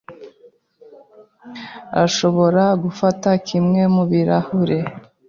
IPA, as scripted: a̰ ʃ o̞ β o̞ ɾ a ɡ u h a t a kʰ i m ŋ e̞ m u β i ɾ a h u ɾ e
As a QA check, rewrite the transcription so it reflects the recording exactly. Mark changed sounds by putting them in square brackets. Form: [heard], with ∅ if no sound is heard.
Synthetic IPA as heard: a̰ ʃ o̞ β o̞ ɾ a ɡ u [f] a t a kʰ i m ŋ e̞ m u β i ɾ a h u ɾ e